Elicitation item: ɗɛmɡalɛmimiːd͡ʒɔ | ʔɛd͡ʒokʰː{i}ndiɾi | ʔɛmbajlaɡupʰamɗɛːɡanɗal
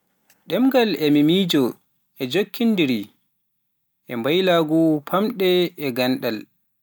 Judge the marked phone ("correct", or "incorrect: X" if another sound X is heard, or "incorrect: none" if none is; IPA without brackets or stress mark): correct